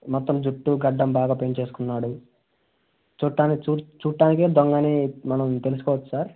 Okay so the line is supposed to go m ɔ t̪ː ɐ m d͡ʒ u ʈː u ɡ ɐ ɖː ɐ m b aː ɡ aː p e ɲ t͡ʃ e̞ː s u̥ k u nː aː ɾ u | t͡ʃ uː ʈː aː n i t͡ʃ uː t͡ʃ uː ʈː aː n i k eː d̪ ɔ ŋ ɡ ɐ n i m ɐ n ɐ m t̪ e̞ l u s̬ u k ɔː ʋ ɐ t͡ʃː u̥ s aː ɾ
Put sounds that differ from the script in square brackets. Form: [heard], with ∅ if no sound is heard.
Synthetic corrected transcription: m ɔ t̪ː ɐ m d͡ʒ u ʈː u ɡ ɐ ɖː ɐ m b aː ɡ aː p e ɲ t͡ʃ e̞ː s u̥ k u nː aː [ɽ] u | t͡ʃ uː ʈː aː n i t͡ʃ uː t͡ʃ uː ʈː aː n i k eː d̪ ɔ ŋ ɡ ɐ n i m ɐ n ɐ m t̪ e̞ l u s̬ u k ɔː ʋ ɐ t͡ʃː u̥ s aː ɾ